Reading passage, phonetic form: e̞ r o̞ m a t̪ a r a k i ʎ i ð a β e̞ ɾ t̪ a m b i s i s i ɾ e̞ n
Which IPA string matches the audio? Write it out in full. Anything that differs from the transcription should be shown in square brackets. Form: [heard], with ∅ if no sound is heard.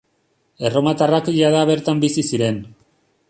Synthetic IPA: e̞ r o̞ m a t̪ a r a k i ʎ [a] ð a β e̞ ɾ t̪ a m b i s i s i ɾ e̞ n